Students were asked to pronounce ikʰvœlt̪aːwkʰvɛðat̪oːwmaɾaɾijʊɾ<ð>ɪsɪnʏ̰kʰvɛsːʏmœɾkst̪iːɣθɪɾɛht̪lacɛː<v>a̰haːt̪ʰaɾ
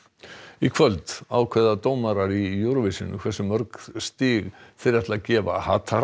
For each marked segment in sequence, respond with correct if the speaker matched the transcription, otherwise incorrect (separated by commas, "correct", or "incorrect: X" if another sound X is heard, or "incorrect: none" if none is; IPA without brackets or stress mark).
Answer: incorrect: v, correct